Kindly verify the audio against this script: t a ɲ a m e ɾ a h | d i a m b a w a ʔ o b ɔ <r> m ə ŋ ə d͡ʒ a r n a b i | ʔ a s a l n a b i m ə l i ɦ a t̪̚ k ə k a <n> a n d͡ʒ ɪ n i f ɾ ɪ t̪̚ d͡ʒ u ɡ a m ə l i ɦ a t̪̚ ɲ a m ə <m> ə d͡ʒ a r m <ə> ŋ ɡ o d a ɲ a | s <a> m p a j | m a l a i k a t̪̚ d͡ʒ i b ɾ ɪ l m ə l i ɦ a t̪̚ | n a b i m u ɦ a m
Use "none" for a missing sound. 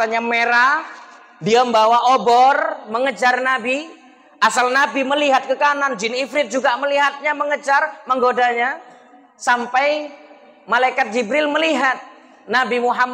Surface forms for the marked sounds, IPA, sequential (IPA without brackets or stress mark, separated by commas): r, n, ŋ, ə, a